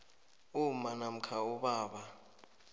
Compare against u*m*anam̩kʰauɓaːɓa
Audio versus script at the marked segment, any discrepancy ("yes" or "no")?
no